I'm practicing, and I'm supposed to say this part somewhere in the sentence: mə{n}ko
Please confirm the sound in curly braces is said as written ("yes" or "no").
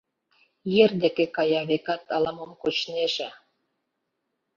no